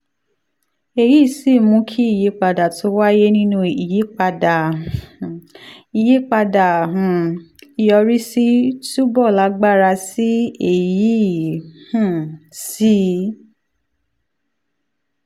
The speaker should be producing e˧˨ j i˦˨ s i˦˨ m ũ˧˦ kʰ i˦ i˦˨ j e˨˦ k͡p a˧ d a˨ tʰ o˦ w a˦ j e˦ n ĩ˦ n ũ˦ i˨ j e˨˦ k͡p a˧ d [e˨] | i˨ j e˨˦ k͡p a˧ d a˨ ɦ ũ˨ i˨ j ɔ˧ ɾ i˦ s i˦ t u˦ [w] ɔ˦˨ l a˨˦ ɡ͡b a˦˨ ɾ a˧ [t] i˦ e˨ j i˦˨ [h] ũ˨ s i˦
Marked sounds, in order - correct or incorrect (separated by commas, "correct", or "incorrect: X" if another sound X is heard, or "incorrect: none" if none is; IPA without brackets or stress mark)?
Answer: incorrect: a˨, incorrect: b, incorrect: s, correct